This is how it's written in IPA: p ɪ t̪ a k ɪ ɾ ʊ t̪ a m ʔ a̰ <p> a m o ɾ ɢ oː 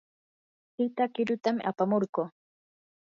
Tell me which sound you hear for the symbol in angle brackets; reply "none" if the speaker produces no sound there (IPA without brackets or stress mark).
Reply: p